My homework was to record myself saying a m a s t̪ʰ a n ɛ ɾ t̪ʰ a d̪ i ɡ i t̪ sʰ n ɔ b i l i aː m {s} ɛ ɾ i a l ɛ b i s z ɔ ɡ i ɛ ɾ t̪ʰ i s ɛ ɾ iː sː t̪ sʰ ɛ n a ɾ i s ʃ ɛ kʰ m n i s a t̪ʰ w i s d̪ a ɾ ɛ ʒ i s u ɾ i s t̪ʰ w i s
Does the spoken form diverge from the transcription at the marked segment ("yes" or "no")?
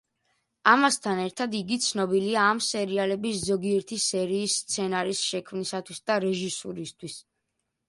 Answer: no